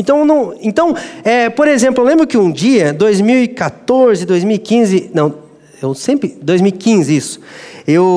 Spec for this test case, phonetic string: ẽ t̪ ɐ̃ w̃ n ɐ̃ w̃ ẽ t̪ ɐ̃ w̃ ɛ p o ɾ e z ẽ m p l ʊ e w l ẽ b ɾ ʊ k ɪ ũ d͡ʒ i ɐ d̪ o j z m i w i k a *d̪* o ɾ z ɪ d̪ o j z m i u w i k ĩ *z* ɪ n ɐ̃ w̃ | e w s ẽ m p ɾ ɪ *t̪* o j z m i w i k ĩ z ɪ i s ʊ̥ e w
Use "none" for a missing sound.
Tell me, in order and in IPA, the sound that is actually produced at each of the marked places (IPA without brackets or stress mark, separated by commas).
t̪, z, d̪